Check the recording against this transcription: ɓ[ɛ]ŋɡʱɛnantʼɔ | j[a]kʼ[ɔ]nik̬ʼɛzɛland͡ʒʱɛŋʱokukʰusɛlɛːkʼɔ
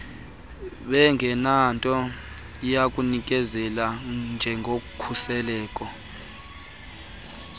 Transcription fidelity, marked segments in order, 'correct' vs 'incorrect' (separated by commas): correct, correct, incorrect